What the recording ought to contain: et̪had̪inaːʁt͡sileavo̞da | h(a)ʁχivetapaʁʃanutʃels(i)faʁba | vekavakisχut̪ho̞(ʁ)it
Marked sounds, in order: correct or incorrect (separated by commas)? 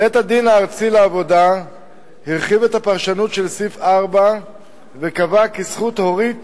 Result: incorrect, correct, correct